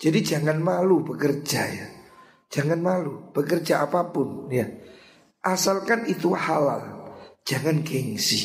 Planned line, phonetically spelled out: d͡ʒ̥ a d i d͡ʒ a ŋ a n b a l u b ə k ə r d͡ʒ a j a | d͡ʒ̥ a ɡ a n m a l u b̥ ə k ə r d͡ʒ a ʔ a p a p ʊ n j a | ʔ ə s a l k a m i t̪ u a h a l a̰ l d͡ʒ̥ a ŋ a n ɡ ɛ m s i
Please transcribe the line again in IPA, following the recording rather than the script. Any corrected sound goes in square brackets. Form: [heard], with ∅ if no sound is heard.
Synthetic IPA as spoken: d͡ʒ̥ a d i d͡ʒ a ŋ a n [m] a l u b ə k ə r d͡ʒ a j a | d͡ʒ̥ a [ŋ] a n m a l u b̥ ə k ə r d͡ʒ a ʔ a p a p ʊ n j a | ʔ [a] s a l k a [n] i t̪ u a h a l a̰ l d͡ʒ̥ a ŋ a n ɡ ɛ [ŋ] s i